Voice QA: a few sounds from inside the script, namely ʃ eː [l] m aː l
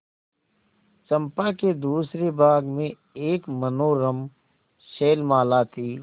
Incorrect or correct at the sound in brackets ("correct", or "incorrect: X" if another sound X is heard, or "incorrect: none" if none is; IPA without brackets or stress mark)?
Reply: correct